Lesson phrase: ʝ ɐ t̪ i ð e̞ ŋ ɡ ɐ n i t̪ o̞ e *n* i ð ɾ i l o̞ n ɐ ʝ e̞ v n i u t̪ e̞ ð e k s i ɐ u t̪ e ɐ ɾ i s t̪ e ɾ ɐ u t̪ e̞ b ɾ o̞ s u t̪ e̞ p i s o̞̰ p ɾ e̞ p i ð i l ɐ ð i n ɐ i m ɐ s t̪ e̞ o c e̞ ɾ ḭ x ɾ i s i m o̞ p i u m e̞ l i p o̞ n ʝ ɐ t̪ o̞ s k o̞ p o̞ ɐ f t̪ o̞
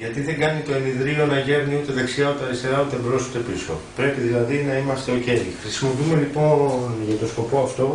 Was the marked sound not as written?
no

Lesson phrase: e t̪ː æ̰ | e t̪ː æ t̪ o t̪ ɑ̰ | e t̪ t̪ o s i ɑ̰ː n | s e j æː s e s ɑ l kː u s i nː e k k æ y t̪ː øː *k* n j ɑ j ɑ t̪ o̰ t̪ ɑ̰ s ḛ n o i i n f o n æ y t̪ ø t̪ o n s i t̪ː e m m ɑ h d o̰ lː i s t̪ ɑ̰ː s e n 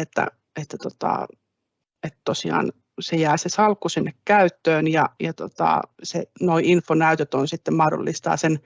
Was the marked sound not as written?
yes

